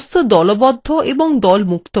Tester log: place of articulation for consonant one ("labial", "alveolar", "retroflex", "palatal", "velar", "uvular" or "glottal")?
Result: alveolar